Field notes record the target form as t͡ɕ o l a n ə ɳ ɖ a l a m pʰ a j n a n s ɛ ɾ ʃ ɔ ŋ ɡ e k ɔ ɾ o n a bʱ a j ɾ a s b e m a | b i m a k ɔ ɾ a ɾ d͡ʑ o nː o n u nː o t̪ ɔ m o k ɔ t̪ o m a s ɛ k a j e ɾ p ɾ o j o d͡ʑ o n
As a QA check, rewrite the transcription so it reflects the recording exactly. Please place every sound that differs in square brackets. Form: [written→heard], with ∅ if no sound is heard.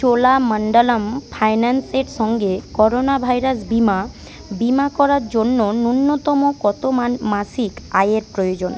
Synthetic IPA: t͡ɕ o l a [n→m] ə ɳ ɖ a l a m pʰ a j n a n s [ɛ→e] ɾ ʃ ɔ ŋ ɡ e k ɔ ɾ o n a bʱ a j ɾ a s b [e→i] m a | b i m a k ɔ ɾ a ɾ d͡ʑ o nː o n u nː o t̪ ɔ m o k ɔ t̪ o m a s [ɛ→i] k a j e ɾ p ɾ o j o d͡ʑ o n

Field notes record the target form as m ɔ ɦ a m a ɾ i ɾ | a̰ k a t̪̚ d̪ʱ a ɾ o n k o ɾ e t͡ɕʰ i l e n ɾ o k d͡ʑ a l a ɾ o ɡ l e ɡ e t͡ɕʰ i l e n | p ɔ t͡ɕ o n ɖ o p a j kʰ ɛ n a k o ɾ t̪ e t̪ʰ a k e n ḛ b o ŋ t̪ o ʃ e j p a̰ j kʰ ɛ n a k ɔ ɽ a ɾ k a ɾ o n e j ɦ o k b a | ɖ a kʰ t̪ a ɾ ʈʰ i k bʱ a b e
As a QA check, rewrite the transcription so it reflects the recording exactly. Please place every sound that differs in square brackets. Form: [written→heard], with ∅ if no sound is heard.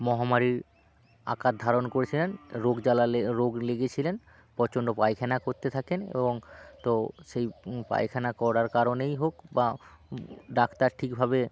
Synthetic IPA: m ɔ ɦ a m a ɾ i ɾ | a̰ k a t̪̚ d̪ʱ a ɾ o n k o ɾ e t͡ɕʰ i l e n ɾ o [k→ɡ] d͡ʑ a l a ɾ o ɡ l e ɡ e t͡ɕʰ i l e n | p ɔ t͡ɕ o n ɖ o p a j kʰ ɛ n a k o ɾ t̪ e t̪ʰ a k e n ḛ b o ŋ t̪ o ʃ e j p a̰ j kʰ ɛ n a k ɔ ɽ a ɾ k a ɾ o n e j ɦ o k b a | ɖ a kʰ t̪ a ɾ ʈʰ i k bʱ a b e

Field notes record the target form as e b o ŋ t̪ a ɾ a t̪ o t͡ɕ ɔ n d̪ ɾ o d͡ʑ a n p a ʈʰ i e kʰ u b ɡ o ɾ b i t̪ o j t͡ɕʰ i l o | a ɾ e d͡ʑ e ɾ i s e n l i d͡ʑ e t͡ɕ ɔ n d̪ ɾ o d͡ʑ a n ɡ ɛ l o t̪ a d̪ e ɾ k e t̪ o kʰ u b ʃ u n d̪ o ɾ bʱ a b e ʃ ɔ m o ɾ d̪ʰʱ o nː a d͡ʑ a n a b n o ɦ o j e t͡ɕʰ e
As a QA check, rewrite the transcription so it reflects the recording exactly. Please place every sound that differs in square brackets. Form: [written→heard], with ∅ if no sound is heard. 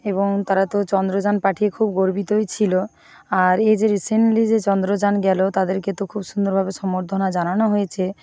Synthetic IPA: e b o ŋ t̪ a ɾ a t̪ o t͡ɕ ɔ n d̪ ɾ o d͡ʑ a n p a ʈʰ i e kʰ u b ɡ o ɾ b i t̪ o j t͡ɕʰ i l o | a ɾ e d͡ʑ e ɾ i s e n l i d͡ʑ e t͡ɕ ɔ n d̪ ɾ o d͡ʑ a n ɡ ɛ l o t̪ a d̪ e ɾ k e t̪ o kʰ u b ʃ u n d̪ o ɾ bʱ a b e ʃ ɔ m o ɾ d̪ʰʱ o [nː→n] a d͡ʑ a n a [b→∅] n o ɦ o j e t͡ɕʰ e

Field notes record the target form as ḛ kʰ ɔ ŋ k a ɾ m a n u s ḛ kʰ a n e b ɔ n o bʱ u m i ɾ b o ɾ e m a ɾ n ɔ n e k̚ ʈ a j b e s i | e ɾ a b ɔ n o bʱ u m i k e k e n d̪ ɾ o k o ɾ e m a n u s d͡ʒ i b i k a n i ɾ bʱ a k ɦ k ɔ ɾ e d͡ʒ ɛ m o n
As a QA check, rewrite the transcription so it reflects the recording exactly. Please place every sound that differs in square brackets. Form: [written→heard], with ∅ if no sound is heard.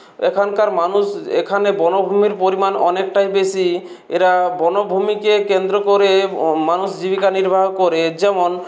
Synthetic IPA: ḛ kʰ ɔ [ŋ→n] k a ɾ m a n u s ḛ kʰ a n e b ɔ n o bʱ u m i ɾ [b→p] o ɾ [e→i] m a [ɾ→∅] n ɔ n e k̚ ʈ a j b e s i | e ɾ a b ɔ n o bʱ u m i k e k e n d̪ ɾ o k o ɾ e m a n u s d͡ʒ i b i k a n i ɾ bʱ a [k→∅] ɦ k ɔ ɾ e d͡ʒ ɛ m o n

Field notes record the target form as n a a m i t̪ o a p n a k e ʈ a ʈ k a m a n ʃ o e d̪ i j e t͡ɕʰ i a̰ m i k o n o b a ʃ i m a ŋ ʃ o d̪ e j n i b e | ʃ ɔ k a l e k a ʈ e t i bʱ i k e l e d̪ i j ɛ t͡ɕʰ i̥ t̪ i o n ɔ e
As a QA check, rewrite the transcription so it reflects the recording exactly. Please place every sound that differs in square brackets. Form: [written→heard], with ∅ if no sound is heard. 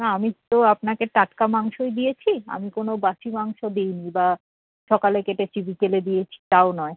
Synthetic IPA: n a a m i t̪ o a p n a k e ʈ a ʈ k a m a [n→ŋ] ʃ o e d̪ i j e t͡ɕʰ i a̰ m i k o n o b a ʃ i m a ŋ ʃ o d̪ e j n i b [e→a] | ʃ ɔ k a l e k [a→e] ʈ e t i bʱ i k e l e d̪ i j [ɛ→e] t͡ɕʰ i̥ t̪ [i→a] o n ɔ e

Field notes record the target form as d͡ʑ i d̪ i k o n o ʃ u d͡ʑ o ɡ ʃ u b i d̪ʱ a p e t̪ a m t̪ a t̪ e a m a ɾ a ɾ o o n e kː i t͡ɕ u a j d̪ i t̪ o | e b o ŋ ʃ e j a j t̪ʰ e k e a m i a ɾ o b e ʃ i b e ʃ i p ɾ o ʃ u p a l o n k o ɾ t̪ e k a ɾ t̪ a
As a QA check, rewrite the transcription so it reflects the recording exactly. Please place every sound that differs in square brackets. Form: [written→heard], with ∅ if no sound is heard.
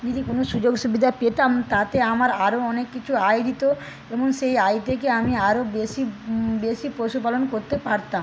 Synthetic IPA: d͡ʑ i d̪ i k o n o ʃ u d͡ʑ o ɡ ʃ u b i d̪ʱ a p e t̪ a m t̪ a t̪ e a m a ɾ a ɾ o [o→ɔ] n e kː i [t͡ɕ→t͡ɕʰ] u a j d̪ i t̪ o | e b o ŋ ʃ e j a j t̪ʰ e k e a m i a ɾ o b e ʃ i b e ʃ i p ɾ o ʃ u p a l o n k o ɾ t̪ e [k→p] a ɾ t̪ a

